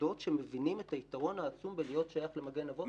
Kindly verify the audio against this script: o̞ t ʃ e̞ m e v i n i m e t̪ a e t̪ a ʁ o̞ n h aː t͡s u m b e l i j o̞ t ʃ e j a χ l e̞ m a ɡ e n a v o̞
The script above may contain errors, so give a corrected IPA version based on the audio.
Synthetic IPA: o̞ t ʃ e̞ m e v i n i m e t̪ a i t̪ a ʁ o̞ n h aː t͡s u m b e l i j o̞ t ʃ a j a χ l e̞ m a ɡ e n a v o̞